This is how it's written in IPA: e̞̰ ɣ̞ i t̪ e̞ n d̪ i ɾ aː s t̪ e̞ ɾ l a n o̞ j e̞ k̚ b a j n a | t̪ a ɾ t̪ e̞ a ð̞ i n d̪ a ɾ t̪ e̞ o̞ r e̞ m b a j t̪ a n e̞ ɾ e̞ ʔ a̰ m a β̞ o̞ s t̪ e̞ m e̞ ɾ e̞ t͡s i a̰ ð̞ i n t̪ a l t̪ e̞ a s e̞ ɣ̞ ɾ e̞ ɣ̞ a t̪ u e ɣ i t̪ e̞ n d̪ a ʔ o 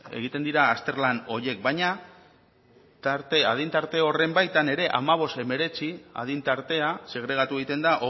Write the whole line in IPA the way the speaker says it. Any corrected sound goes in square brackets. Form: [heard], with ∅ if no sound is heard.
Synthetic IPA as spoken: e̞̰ ɣ̞ i t̪ e̞ n d̪ i ɾ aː s t̪ e̞ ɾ l a n o̞ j e̞ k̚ b a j [ɲ] a | t̪ a ɾ t̪ e̞ a ð̞ i n [t̪] a ɾ t̪ e̞ o̞ r e̞ m b a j t̪ a n e̞ ɾ e̞ ʔ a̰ m a β̞ o̞ s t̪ e̞ m e̞ ɾ e̞ t͡s i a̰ ð̞ i n t̪ a [ɾ] t̪ e̞ a s e̞ ɣ̞ ɾ e̞ ɣ̞ a t̪ u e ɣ i t̪ e̞ n d̪ a ʔ o